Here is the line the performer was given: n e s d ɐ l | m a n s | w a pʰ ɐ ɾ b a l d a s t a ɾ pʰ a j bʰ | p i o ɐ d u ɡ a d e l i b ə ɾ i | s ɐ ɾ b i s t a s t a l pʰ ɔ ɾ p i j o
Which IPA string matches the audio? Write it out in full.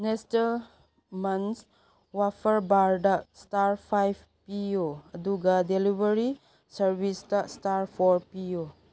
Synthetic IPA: n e s t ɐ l | m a n s | w a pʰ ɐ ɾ b a ɾ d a s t a ɾ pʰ a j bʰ | p i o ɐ d u ɡ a d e l i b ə ɾ i | s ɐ ɾ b i s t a s t a ɾ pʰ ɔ ɾ p i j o